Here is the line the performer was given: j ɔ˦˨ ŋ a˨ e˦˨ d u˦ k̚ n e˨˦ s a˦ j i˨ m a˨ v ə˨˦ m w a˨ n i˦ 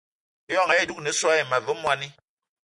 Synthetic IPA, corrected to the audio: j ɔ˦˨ ŋ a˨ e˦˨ d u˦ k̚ n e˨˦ s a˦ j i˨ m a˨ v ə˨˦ m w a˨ n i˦